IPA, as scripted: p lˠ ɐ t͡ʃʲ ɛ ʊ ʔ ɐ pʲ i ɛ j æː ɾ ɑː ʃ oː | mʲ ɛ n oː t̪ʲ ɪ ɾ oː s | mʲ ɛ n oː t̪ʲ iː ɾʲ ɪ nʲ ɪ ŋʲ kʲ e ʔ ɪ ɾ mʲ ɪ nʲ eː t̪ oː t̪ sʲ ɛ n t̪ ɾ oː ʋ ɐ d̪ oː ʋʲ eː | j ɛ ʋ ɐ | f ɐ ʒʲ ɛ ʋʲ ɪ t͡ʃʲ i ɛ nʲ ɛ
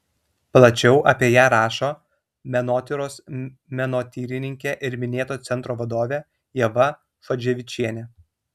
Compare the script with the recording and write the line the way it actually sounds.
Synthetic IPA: p lˠ ɐ t͡ʃʲ ɛ ʊ ʔ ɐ pʲ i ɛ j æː ɾ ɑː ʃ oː | mʲ ɛ n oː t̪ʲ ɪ ɾ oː s | mʲ ɛ n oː t̪ʲ iː ɾʲ ɪ nʲ ɪ ŋʲ kʲ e ʔ ɪ ɾ mʲ ɪ nʲ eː t̪ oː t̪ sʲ ɛ n t̪ ɾ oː ʋ ɐ d̪ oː ʋʲ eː | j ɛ ʋ ɐ | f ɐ d͡ʒʲ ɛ ʋʲ ɪ t͡ʃʲ i ɛ nʲ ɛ